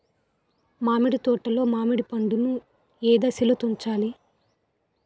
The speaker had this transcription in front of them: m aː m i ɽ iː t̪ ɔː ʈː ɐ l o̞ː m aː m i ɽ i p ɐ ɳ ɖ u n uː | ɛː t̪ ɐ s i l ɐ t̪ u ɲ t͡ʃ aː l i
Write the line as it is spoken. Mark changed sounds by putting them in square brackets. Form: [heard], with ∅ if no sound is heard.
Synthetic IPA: m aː m i ɽ [i] t̪ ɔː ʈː ɐ l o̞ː m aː m i ɽ i p ɐ ɳ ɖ u n [u] | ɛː [d̪] ɐ s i l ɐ t̪ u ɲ t͡ʃ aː l i

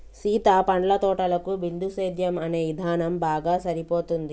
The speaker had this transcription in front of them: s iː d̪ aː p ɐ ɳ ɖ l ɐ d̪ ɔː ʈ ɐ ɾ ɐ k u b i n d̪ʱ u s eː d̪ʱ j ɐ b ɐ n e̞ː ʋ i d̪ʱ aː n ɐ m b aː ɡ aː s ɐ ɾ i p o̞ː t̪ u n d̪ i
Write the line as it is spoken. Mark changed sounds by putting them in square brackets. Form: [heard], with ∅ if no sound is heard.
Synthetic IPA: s iː [t̪] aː p ɐ ɳ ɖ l ɐ [t̪] ɔː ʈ ɐ [l] ɐ k u b i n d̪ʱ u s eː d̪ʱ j ɐ [m] ɐ n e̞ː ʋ i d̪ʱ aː n ɐ m b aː ɡ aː s ɐ ɾ i p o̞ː t̪ u n d̪ i

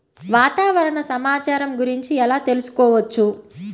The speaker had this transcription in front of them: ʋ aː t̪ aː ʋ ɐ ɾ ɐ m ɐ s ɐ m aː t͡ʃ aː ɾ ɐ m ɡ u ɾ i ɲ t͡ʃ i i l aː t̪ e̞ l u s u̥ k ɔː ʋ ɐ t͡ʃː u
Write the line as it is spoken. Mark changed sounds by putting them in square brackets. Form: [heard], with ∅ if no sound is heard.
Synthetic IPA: ʋ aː t̪ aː ʋ ɐ ɾ ɐ [ɳ] ɐ s ɐ m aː t͡ʃ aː ɾ ɐ m ɡ u ɾ i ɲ t͡ʃ i [ɛ] l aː t̪ e̞ l u s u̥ k ɔː ʋ ɐ t͡ʃː u

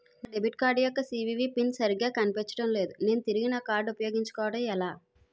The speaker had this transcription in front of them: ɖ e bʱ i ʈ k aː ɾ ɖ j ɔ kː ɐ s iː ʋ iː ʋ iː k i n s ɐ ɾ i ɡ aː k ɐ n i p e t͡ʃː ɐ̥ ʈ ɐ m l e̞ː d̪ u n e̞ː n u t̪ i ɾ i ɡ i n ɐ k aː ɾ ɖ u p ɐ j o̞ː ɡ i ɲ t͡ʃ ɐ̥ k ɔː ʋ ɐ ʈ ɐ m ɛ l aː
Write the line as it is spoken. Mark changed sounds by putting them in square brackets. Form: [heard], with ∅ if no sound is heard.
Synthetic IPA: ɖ e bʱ i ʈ k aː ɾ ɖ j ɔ kː ɐ s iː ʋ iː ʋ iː [p] i n s ɐ ɾ i ɡ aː k ɐ n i p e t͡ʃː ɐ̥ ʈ ɐ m l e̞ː d̪ u n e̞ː n u t̪ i ɾ i ɡ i n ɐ k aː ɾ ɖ u p ɐ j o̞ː ɡ i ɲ t͡ʃ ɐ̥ k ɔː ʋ ɐ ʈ ɐ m ɛ l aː

